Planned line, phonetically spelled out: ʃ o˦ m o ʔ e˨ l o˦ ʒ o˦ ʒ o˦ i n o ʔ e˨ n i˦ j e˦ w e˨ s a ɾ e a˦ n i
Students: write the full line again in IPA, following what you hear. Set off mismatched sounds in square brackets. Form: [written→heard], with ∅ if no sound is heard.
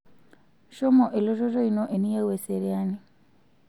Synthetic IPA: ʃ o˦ m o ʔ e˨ l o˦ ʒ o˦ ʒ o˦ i n o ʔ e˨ n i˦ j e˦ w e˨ s [a→e] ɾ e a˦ n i